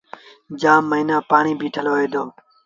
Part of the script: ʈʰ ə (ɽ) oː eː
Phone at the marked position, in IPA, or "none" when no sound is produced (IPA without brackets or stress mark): l